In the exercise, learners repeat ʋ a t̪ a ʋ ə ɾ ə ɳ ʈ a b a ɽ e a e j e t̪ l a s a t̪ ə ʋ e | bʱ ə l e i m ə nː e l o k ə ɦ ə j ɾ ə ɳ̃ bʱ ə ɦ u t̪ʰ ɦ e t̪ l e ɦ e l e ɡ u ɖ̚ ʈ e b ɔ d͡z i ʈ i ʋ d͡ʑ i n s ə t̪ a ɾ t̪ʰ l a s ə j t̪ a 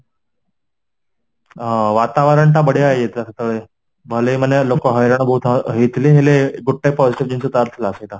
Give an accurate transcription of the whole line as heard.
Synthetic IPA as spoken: ʋ a t̪ a ʋ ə ɾ ə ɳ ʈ a b ə ɽ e a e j e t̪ l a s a t̪ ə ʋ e | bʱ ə l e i m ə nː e l o k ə ɦ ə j ɾ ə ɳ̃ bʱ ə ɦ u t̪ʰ ɦ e t̪ l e ɦ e l e ɡ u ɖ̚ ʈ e p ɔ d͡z i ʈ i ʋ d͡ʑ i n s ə t̪ a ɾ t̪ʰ l a s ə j t̪ a